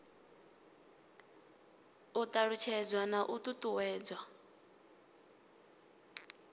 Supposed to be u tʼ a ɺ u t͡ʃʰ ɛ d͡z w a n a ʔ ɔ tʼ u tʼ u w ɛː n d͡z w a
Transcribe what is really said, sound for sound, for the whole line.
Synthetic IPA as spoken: u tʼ a ɺ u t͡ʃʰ ɛ d͡z w a n a ʔ u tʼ u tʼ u w ɛː d͡z w a